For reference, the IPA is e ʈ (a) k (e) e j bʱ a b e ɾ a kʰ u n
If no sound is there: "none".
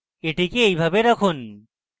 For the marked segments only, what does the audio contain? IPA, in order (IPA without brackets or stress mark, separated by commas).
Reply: i, e